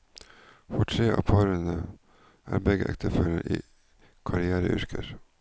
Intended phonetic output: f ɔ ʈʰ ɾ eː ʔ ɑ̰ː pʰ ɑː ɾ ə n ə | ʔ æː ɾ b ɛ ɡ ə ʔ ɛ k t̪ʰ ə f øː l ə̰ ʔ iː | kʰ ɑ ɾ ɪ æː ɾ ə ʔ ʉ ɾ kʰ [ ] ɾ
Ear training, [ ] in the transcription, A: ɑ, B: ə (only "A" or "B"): B